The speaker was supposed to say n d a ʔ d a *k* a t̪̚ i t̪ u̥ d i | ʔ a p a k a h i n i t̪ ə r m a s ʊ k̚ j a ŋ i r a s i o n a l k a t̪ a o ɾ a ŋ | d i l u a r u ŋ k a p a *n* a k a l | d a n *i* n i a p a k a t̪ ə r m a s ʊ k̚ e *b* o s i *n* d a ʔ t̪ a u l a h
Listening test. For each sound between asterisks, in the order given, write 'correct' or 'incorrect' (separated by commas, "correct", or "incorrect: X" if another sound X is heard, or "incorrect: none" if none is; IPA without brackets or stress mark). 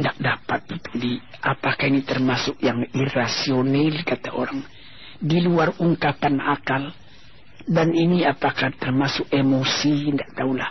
incorrect: p, correct, correct, incorrect: m, correct